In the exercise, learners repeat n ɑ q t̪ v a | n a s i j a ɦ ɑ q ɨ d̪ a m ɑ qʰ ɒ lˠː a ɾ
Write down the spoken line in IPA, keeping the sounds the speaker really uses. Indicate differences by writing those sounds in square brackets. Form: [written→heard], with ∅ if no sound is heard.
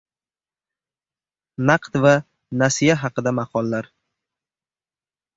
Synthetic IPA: n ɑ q t̪ v a | n a s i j a ɦ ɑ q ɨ d̪ a m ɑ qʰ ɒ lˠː a ɾ